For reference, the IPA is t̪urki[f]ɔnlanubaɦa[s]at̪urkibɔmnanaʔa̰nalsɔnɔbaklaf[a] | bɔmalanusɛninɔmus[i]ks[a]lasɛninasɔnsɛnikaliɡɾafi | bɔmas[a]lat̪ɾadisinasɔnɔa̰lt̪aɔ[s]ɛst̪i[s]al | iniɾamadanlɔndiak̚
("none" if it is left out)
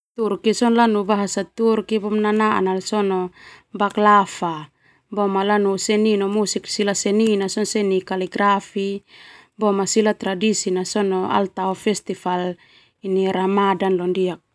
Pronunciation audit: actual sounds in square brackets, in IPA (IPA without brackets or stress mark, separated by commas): s, s, a, i, i, i, f, f